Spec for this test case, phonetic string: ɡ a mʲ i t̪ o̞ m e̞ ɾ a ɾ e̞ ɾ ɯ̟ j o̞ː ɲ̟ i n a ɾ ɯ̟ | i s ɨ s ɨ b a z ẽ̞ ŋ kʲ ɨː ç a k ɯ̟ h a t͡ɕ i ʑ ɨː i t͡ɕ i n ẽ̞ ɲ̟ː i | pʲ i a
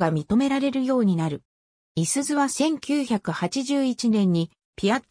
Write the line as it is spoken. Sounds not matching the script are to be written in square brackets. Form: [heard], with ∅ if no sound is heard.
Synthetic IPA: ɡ a mʲ i t̪ o̞ m e̞ ɾ a ɾ e̞ ɾ ɯ̟ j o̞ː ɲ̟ i n a ɾ ɯ̟ | i s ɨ [z] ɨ [β] a [s] ẽ̞ ŋ kʲ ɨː ç a k ɯ̟ h a t͡ɕ i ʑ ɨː i t͡ɕ i n ẽ̞ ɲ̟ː i | pʲ i a